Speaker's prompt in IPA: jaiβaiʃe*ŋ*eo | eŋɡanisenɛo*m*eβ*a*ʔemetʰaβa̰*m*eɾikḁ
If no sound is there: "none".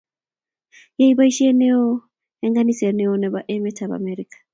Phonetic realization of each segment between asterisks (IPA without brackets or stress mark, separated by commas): n, n, a, m